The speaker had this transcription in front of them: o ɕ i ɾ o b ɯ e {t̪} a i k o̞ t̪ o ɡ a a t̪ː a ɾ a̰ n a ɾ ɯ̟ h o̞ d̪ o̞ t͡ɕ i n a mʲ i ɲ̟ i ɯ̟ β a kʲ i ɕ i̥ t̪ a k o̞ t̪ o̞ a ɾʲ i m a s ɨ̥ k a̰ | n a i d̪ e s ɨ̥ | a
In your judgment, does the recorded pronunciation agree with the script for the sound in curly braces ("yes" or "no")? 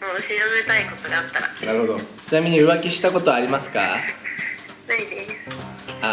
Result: yes